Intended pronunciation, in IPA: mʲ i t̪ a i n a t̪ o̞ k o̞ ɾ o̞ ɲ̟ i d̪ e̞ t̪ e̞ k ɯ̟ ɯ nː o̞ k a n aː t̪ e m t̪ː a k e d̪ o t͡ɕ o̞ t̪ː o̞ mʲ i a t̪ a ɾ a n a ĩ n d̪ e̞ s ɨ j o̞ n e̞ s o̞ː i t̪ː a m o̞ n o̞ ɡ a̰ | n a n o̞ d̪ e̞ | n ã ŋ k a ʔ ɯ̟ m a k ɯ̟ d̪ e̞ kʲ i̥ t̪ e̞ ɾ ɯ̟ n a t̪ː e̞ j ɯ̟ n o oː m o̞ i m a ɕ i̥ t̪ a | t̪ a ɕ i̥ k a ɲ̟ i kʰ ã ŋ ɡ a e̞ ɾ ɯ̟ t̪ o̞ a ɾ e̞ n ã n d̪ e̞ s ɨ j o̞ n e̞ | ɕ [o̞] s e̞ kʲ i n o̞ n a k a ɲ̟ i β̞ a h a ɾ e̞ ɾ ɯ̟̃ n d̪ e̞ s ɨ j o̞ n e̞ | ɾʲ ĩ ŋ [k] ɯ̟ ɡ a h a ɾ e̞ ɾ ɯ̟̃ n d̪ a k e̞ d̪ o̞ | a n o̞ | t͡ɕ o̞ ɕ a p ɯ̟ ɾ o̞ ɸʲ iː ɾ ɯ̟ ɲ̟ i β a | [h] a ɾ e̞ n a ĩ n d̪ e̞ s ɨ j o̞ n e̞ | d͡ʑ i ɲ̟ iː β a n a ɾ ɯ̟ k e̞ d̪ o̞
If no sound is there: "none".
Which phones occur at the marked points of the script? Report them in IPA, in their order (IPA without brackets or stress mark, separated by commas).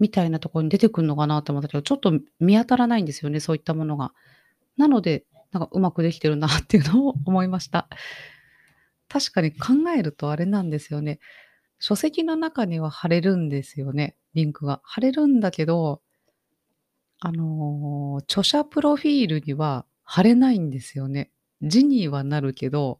o̞, k, h